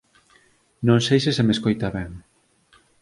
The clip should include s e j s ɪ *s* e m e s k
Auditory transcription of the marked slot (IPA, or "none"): s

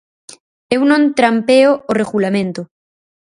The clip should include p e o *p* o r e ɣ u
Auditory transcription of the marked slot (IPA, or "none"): none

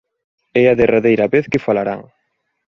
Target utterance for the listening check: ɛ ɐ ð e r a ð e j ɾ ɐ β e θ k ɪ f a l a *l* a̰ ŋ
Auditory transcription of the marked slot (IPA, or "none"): ɾ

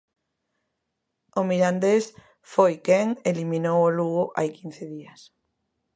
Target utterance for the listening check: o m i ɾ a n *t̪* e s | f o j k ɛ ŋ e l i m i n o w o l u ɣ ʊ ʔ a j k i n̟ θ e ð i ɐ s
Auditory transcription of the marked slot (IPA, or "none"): d̪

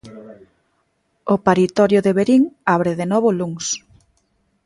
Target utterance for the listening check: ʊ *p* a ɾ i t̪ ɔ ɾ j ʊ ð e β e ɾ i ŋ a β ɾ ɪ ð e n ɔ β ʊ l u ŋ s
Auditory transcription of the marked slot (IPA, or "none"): p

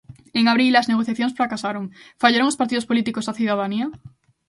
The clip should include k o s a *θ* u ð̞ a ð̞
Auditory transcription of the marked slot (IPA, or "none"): θ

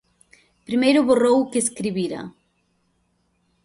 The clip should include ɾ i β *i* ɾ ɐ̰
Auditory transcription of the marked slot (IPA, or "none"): i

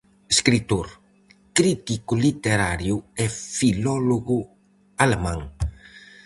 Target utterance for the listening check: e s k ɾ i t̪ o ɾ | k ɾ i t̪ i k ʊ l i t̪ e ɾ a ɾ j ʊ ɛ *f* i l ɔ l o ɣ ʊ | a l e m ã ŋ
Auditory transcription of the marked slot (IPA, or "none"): f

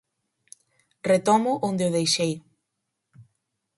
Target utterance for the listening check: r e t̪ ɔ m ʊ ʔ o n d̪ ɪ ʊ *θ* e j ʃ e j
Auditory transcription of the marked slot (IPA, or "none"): ð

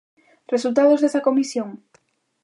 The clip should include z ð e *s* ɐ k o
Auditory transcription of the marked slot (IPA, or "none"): s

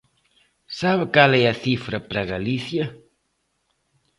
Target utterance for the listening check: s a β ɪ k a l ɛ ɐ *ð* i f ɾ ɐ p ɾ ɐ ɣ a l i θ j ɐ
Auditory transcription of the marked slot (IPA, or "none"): θ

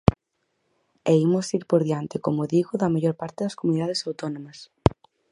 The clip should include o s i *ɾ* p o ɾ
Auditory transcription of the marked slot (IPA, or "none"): ɾ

